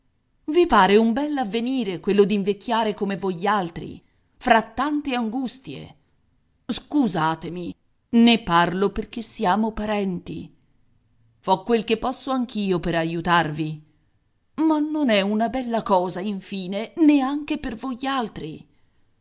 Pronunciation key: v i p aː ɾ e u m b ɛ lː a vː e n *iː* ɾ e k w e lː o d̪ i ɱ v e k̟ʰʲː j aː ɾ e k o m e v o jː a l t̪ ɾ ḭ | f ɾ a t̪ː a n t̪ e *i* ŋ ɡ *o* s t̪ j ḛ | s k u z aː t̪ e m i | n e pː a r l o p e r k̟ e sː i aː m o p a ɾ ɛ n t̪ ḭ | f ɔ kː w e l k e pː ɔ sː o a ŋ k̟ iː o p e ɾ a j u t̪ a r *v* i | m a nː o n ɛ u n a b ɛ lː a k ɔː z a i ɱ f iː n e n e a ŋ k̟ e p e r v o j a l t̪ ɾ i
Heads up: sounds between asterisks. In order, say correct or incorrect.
correct, incorrect, incorrect, correct

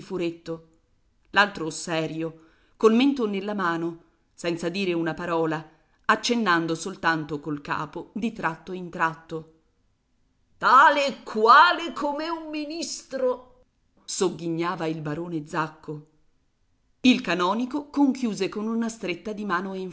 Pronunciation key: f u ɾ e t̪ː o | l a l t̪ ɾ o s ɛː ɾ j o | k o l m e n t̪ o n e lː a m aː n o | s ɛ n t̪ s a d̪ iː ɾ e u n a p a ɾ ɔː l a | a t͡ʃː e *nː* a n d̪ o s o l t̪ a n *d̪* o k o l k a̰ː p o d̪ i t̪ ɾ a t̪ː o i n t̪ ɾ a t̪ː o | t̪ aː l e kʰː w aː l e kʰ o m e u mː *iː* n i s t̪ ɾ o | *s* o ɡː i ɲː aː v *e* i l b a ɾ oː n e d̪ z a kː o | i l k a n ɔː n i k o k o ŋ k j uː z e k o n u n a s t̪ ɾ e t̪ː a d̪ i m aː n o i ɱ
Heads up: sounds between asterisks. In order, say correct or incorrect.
correct, incorrect, incorrect, correct, incorrect

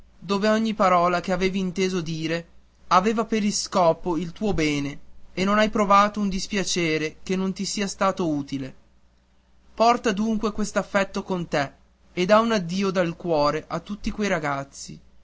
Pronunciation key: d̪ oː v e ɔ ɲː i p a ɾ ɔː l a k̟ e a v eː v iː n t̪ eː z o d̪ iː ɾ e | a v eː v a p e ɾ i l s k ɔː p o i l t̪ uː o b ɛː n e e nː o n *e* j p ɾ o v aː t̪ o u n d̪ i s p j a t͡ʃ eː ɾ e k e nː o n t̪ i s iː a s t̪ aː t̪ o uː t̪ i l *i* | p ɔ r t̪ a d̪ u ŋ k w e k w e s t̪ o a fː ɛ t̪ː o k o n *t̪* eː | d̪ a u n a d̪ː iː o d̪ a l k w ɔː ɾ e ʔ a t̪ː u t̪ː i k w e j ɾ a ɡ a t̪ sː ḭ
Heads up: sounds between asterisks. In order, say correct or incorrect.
incorrect, incorrect, correct

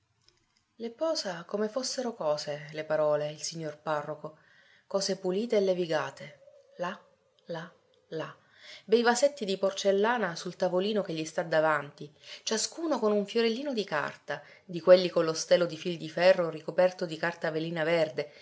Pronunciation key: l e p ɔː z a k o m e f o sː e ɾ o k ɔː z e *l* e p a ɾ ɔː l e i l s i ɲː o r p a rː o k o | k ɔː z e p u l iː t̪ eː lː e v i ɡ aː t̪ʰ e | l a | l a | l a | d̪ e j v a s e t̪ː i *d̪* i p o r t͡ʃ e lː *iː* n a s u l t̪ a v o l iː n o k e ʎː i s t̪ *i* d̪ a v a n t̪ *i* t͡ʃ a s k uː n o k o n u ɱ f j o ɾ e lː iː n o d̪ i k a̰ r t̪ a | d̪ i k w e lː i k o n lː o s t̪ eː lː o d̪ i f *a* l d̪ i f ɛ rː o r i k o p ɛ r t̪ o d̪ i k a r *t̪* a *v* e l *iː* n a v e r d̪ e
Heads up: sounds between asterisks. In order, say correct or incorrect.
correct, correct, incorrect, incorrect, correct, incorrect, correct, correct, correct

